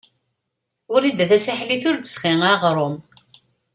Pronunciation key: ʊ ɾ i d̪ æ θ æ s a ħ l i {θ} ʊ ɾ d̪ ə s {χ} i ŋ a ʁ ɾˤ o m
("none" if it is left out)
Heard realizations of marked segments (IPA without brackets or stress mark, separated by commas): θ, χ